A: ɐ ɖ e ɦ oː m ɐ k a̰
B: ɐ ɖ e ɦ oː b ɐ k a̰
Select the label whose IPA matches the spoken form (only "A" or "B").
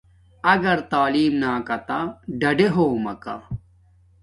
A